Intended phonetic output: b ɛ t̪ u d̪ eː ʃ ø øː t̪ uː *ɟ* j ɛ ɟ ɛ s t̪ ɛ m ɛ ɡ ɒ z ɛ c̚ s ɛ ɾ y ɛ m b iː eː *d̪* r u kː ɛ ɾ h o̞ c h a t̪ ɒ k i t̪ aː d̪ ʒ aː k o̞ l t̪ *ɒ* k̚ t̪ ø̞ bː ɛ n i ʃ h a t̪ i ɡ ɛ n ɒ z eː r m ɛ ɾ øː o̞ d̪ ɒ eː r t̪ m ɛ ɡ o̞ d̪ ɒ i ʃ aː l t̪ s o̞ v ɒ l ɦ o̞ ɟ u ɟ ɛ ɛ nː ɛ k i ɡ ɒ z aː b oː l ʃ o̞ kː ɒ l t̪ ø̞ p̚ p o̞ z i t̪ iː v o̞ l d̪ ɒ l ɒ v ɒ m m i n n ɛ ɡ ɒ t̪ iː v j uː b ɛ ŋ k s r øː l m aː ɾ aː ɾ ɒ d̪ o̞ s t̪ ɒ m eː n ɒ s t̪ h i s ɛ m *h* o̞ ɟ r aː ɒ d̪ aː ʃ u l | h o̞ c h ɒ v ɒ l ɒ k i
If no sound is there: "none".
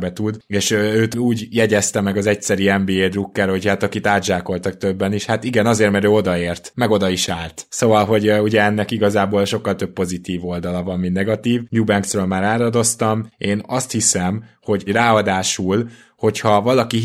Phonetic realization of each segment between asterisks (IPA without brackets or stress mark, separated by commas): ɟ, d̪, ɒ, h